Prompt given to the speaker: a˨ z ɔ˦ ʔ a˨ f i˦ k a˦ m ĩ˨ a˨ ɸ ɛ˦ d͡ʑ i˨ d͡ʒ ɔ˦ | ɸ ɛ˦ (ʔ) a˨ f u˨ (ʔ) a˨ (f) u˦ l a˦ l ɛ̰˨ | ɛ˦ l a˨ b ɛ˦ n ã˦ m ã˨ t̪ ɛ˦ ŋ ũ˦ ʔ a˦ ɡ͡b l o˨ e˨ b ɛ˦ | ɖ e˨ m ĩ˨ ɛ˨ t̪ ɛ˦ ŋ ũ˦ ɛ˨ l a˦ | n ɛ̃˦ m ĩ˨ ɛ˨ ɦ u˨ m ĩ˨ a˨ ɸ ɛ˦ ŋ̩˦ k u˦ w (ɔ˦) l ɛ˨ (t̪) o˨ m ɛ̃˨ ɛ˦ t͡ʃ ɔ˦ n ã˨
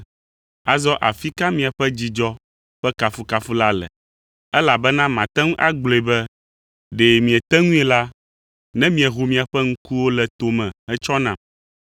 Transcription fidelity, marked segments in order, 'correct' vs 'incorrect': incorrect: k, incorrect: k, correct, incorrect: o˦, correct

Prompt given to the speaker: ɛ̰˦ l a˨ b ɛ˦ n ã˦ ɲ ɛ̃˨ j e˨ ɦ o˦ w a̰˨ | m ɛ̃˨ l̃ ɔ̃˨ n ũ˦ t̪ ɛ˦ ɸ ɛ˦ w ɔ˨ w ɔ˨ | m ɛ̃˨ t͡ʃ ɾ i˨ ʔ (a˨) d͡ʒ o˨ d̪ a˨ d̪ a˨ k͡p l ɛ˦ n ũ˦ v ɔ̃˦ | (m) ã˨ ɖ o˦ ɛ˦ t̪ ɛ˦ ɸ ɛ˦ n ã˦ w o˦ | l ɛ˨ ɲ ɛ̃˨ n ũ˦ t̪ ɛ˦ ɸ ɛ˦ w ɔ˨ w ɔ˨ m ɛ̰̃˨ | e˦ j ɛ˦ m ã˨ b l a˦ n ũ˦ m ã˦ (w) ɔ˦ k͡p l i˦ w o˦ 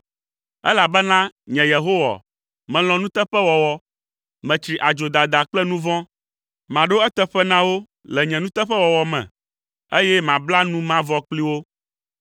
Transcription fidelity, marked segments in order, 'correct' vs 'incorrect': correct, correct, incorrect: v

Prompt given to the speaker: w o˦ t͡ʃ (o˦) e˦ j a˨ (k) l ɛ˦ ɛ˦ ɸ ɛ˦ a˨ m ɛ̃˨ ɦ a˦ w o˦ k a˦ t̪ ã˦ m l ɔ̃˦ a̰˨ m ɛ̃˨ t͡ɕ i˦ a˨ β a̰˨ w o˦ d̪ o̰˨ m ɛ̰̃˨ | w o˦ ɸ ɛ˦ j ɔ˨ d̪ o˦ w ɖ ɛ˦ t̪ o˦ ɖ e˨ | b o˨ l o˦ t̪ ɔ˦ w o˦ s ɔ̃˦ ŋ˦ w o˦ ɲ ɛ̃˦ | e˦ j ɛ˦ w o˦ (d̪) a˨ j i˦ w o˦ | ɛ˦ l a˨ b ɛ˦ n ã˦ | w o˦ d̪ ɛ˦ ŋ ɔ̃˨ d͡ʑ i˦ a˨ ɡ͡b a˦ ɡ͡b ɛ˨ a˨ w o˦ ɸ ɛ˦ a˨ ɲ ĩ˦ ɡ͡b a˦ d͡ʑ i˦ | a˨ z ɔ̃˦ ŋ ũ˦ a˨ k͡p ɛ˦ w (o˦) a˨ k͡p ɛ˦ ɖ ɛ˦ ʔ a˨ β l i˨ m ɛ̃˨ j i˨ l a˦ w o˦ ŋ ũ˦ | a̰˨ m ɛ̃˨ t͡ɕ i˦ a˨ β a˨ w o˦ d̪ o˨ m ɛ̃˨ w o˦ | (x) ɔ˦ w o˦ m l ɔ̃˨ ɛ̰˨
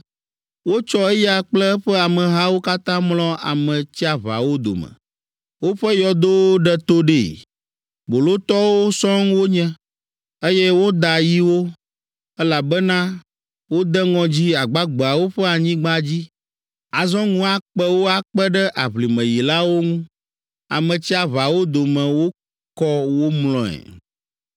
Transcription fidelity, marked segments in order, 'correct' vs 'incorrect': incorrect: ɔ˦, incorrect: k͡p, correct, correct, incorrect: k

